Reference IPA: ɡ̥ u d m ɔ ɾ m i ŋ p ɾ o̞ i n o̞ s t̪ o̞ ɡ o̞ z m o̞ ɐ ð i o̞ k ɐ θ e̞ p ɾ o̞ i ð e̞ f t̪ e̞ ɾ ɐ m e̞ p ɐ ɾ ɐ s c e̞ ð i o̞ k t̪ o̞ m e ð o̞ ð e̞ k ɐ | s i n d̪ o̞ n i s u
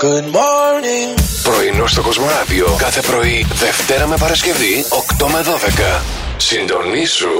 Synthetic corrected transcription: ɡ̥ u d m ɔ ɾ n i ŋ p ɾ o̞ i n o̞ s t̪ o̞ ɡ o̞ z m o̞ ɐ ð i o̞ k ɐ θ e̞ p ɾ o̞ i ð e̞ f t̪ e̞ ɾ ɐ m e̞ p ɐ ɾ ɐ s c e̞ v i o̞ k t̪ o̞ m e ð o̞ ð e̞ k ɐ | s i n d̪ o̞ n i s u